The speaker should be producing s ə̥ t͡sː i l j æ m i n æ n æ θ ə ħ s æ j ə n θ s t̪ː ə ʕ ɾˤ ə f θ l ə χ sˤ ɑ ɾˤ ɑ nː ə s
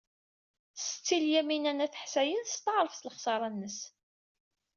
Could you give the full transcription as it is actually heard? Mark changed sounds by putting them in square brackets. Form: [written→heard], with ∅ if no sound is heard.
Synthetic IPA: s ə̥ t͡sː i l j æ m i n æ n æ θ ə ħ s æ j ə n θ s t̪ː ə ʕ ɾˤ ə f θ l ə χ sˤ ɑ ɾˤ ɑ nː ə s